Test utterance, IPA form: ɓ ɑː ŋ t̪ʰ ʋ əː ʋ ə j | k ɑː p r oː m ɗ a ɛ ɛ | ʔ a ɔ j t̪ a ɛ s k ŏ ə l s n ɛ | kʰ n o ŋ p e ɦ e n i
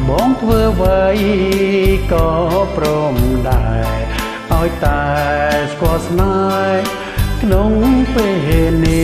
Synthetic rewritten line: ɓ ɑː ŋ t̪ʰ ʋ əː ʋ ə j | k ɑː p r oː m ɗ a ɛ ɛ | ʔ a ɔ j t̪ a ɛ s k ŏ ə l s n a | kʰ n o ŋ p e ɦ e n i